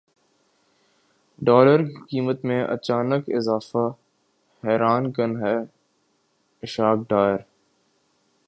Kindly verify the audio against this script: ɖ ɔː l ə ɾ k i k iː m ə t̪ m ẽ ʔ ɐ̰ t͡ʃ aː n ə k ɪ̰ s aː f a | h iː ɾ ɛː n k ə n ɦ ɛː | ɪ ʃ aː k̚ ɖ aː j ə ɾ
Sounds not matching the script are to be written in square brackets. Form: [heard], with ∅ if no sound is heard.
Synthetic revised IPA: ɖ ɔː l ə ɾ k i k iː m ə t̪ m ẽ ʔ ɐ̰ t͡ʃ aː n ə k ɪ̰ [z] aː f a | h [ɛː] ɾ [aː] n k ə n ɦ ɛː | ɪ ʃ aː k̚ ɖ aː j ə ɾ